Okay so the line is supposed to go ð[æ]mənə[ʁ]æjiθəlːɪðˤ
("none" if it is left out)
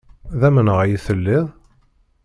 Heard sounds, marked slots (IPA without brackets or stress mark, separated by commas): æ, ʁ